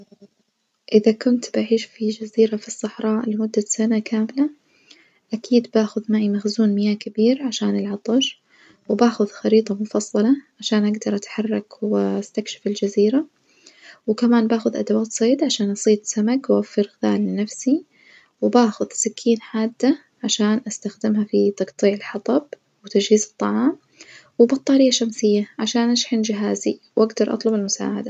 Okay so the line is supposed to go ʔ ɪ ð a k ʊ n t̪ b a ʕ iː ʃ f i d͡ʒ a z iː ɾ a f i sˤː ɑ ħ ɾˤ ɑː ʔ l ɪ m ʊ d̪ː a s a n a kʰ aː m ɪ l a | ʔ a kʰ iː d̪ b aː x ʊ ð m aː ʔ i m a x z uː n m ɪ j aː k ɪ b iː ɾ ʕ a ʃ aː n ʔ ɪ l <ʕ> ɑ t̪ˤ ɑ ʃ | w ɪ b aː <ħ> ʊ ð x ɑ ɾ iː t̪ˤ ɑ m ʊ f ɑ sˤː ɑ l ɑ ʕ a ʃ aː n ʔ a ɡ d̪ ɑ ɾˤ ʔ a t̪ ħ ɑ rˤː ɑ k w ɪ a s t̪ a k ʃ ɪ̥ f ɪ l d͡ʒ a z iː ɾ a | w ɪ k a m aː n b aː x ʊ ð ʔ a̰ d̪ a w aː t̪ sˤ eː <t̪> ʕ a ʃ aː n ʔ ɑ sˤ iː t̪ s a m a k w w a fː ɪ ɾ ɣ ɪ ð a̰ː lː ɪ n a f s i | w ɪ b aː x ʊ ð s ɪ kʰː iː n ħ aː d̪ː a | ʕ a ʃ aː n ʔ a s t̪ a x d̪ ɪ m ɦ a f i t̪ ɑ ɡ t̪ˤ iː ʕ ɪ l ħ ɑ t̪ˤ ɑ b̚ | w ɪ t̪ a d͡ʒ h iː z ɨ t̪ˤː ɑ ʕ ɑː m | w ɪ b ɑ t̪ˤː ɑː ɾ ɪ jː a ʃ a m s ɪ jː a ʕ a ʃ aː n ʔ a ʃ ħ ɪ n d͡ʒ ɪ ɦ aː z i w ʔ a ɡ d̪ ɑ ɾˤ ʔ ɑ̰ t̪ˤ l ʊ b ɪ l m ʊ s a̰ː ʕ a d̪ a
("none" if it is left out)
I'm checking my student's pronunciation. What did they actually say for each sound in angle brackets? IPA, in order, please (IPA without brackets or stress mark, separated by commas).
ʕ, x, d̪